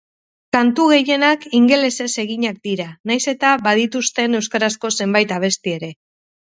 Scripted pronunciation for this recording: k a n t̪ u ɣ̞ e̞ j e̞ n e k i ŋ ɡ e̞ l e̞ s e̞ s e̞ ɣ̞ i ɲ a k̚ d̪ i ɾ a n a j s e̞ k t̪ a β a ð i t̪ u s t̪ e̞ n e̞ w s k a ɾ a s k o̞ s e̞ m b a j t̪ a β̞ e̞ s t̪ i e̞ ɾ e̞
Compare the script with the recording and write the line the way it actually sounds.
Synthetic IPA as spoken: k a n t̪ u ɣ̞ e̞ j e̞ n a k i ŋ ɡ e̞ l e̞ s e̞ s e̞ ɣ̞ i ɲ a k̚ d̪ i ɾ a n a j s e̞ t̪ a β a ð i t̪ u s t̪ e̞ n e̞ w s k a ɾ a s k o̞ s e̞ m b a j t̪ a β̞ e̞ s t̪ i e̞ ɾ e̞